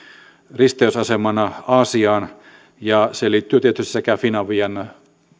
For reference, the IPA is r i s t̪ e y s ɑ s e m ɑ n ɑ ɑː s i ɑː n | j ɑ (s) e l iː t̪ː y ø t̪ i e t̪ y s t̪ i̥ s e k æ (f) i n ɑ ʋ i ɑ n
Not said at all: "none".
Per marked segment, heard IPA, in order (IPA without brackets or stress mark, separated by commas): s, f